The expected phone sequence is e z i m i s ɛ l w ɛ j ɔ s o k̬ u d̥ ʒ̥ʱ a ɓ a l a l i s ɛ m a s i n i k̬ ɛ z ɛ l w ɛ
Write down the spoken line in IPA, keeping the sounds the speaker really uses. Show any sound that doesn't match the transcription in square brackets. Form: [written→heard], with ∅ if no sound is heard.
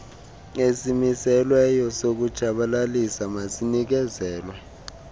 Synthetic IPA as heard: e [z→s] i m i s ɛ l w ɛ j ɔ s o k̬ u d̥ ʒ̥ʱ a ɓ a l a l i s [ɛ→a] m a s i n i k̬ ɛ z [ɛ→ɛː] l w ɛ